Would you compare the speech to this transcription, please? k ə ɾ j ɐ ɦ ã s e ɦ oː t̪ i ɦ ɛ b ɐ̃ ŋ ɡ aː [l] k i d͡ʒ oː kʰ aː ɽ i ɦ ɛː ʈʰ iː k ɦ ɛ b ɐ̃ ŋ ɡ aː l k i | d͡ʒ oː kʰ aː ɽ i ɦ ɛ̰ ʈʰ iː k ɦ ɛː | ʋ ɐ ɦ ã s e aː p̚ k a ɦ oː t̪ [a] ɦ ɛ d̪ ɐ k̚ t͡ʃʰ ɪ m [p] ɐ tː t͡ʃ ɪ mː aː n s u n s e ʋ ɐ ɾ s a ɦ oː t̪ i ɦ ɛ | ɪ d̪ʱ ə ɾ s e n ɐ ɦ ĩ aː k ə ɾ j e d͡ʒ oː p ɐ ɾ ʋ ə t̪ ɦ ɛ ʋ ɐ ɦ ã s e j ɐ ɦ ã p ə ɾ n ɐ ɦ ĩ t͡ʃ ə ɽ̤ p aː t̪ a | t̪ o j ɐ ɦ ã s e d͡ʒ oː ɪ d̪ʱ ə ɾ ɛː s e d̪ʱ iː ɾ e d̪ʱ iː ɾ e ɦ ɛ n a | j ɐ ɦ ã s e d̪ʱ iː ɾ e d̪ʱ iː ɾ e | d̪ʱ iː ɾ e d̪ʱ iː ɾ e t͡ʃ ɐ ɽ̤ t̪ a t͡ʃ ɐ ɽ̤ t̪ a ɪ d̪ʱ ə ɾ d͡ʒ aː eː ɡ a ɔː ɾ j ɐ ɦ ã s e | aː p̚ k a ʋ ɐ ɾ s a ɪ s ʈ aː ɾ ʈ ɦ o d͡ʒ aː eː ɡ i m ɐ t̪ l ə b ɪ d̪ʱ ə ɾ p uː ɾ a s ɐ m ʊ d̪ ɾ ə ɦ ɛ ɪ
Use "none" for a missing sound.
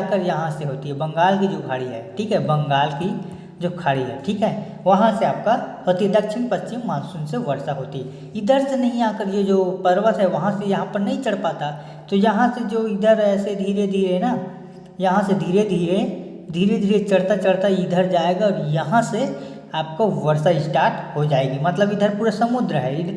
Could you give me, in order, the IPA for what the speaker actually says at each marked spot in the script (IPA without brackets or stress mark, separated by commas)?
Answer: l, i, p